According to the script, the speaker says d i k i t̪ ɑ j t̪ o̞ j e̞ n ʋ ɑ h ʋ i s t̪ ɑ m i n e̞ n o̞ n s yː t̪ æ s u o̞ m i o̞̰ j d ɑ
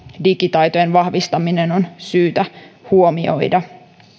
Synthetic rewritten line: d i k i t̪ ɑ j t̪ o̞ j e̞ n ʋ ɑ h ʋ i s t̪ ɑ m i n e̞ n o̞ n s yː t̪ æ h u o̞ m i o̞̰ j d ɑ